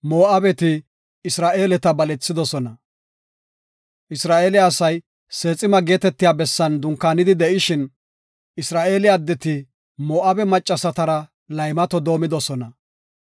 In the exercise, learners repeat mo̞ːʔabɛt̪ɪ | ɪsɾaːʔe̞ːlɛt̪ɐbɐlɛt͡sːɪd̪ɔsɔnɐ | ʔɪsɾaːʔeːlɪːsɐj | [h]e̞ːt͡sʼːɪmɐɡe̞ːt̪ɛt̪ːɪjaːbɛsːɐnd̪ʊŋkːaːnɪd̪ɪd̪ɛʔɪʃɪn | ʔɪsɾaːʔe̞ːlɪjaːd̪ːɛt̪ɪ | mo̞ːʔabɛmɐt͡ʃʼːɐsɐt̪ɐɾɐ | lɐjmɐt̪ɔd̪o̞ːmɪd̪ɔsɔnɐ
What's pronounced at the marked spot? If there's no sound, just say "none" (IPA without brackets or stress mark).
s